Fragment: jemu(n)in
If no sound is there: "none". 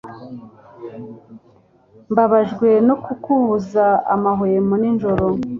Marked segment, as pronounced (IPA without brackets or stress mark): n